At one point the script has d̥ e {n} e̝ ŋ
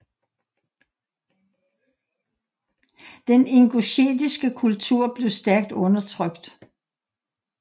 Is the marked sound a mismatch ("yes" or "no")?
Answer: no